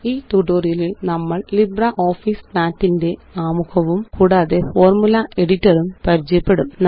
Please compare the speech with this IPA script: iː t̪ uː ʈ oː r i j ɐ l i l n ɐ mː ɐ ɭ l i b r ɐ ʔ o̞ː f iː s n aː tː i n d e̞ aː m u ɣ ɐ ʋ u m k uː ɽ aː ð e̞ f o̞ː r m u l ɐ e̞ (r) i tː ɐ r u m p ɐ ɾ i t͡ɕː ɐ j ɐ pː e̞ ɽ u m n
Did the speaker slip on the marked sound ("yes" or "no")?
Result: yes